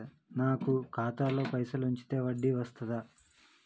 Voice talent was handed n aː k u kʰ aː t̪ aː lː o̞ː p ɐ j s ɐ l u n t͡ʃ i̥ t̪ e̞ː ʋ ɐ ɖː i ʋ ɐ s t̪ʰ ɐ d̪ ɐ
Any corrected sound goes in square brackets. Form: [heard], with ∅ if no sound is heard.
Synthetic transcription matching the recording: n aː k u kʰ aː t̪ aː [l] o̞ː p ɐ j s ɐ l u [ɲ] t͡ʃ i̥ t̪ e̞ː ʋ ɐ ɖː i ʋ ɐ s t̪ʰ ɐ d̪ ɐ

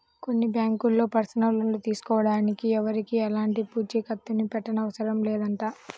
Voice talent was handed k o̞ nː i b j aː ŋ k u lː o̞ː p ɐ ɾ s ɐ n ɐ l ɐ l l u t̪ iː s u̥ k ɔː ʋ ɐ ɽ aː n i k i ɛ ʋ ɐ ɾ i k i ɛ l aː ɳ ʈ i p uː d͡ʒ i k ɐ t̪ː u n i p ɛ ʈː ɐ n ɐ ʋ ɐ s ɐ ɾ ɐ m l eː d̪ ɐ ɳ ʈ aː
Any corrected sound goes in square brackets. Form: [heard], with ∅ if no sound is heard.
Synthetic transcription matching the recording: k o̞ nː i b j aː ŋ k u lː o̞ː p ɐ ɾ s ɐ n ɐ l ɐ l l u t̪ iː s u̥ k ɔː ʋ ɐ ɽ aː n i k i ɛ ʋ ɐ ɾ i k i ɛ l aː ɳ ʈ i p uː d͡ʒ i k ɐ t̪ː u n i p ɛ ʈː ɐ n ɐ ʋ ɐ s ɐ ɾ ɐ m l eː d̪ ɐ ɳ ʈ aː

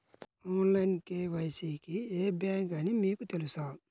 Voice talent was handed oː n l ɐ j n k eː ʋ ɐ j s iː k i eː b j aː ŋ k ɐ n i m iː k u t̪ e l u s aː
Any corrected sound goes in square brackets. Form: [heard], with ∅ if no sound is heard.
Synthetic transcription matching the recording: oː n l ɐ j n k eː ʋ ɐ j s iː k i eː b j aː ŋ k ɐ n i m iː k u t̪ e l u s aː

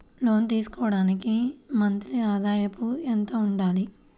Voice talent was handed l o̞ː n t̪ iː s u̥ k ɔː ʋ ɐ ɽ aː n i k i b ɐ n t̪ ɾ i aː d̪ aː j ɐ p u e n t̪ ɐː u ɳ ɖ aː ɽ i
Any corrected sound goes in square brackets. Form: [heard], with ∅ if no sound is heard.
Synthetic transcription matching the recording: l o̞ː n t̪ iː s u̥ k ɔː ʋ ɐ ɽ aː n i k i [m] ɐ n t̪ ɾ i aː d̪ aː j ɐ p u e n t̪ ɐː u ɳ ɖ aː [l] i

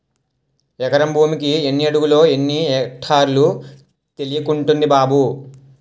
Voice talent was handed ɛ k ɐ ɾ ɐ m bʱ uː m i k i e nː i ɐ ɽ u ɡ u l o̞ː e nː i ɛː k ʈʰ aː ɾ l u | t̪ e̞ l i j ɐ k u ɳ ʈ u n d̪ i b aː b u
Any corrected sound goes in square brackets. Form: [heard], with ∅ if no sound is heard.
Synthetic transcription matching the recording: ɛ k ɐ ɾ ɐ m bʱ uː m i k i e nː i ɐ ɽ u ɡ u l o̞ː e nː i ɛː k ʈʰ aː ɾ l u | t̪ e̞ l i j ɐ k u ɳ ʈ u n d̪ i b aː b u

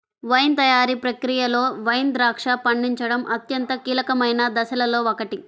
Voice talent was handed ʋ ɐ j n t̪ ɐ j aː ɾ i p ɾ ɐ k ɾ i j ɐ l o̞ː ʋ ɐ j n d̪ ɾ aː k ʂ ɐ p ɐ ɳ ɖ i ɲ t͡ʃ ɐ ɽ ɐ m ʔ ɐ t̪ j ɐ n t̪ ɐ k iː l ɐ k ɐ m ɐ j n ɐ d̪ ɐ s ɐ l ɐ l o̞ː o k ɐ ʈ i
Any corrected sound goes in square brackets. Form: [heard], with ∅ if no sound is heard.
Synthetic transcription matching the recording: ʋ ɐ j n t̪ ɐ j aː ɾ i p ɾ ɐ k ɾ i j ɐ l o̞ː ʋ ɐ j n d̪ ɾ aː k ʂ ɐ p ɐ ɳ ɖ i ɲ t͡ʃ ɐ ɽ ɐ m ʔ ɐ t̪ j ɐ n t̪ ɐ k iː l ɐ k ɐ m ɐ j n ɐ d̪ ɐ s ɐ l ɐ l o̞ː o k ɐ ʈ i

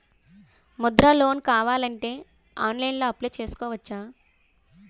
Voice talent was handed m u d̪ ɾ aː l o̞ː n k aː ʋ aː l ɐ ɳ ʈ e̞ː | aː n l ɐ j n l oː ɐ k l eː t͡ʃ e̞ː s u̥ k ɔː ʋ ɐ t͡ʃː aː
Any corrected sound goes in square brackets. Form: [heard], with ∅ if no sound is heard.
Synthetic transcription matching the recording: m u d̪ ɾ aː l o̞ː n k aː ʋ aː l ɐ ɳ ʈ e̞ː | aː n l ɐ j n l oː ɐ [p] l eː t͡ʃ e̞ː s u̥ k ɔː ʋ ɐ t͡ʃː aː

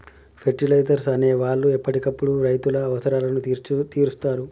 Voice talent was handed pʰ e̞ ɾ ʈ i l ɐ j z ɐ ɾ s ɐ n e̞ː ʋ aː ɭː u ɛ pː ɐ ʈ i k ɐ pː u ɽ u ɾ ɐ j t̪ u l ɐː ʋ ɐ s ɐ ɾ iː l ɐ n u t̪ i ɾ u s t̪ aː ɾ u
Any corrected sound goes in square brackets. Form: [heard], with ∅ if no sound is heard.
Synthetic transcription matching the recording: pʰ e̞ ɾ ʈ i l ɐ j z ɐ ɾ s ɐ n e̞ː ʋ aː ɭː u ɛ pː ɐ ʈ i k ɐ pː u ɽ u ɾ ɐ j t̪ u l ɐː ʋ ɐ s ɐ ɾ [aː] l ɐ n u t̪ [iː] ɾ u s t̪ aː ɾ u

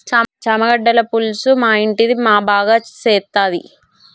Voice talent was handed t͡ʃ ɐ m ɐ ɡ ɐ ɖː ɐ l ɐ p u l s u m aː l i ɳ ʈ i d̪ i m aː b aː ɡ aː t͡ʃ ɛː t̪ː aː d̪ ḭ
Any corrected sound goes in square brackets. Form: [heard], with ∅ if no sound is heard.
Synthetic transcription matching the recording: t͡ʃ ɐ m ɐ ɡ ɐ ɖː ɐ l ɐ p u l s u m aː [∅] i ɳ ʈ i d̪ i m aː b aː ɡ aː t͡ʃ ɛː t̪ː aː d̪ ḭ

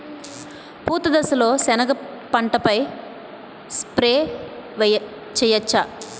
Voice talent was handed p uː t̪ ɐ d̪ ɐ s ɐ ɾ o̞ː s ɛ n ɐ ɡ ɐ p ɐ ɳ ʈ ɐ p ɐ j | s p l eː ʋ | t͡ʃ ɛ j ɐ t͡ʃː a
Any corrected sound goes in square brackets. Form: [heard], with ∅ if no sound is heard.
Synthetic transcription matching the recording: p uː t̪ ɐ d̪ ɐ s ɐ [l] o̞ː s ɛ n ɐ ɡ ɐ p ɐ ɳ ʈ ɐ p ɐ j | s p [ɾ] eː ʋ | t͡ʃ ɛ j ɐ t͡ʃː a

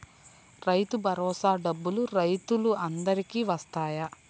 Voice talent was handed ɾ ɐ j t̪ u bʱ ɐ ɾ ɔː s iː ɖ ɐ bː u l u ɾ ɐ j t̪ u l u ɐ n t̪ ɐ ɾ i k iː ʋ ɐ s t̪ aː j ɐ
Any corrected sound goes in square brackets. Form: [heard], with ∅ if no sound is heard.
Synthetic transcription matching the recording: ɾ ɐ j t̪ u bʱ ɐ ɾ ɔː s [aː] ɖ ɐ bː u l u ɾ ɐ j t̪ u l u ɐ n [d̪] ɐ ɾ i k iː ʋ ɐ s t̪ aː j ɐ

